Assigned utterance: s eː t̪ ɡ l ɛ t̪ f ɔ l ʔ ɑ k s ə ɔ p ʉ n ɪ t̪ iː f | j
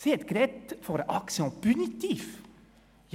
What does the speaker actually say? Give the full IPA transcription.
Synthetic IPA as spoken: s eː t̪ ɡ ɾ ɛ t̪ f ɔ ɾ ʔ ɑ k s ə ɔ p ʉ n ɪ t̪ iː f | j